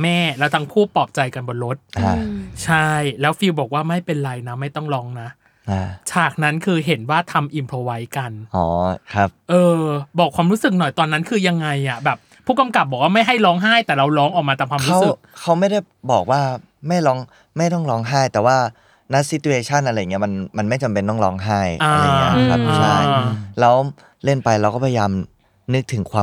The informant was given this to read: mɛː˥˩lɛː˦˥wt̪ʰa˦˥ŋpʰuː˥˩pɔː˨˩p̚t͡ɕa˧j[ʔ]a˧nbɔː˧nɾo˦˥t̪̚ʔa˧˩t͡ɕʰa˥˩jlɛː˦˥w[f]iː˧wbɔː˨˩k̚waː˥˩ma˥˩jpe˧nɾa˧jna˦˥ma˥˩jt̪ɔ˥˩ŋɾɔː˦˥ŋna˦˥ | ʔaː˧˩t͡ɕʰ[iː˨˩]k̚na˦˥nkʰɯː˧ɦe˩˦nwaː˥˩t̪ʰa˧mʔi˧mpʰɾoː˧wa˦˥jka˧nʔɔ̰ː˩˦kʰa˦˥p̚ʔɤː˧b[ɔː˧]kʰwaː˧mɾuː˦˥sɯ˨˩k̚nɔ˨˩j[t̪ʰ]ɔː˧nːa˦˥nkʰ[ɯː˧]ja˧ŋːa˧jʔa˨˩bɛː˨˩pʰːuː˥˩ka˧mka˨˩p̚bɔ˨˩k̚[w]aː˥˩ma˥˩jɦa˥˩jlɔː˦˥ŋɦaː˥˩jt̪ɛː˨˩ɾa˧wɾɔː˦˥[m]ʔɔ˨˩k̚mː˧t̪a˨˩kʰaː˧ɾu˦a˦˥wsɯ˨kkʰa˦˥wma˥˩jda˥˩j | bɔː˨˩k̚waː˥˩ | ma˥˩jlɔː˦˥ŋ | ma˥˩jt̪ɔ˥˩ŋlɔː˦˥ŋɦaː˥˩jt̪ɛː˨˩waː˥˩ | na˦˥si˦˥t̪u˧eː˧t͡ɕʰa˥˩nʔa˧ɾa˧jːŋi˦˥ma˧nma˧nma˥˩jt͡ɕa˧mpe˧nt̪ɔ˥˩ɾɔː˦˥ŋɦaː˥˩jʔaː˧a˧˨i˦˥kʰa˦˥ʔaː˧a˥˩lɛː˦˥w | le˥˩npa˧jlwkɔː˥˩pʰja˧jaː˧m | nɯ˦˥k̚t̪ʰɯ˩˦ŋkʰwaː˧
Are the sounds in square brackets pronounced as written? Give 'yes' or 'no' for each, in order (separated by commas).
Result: no, yes, no, no, no, yes, yes, no